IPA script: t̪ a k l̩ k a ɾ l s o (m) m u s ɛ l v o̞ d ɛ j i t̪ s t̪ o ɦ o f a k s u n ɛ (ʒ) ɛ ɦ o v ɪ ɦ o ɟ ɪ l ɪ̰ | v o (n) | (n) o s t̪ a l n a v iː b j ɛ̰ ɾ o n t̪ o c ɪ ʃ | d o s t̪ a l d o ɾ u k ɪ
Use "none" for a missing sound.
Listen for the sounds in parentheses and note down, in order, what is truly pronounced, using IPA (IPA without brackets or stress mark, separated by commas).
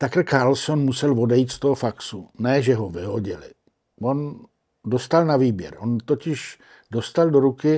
n, ʒ, n, d